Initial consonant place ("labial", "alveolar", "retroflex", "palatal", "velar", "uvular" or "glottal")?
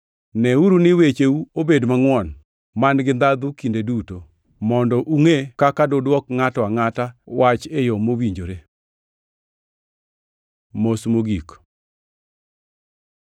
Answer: alveolar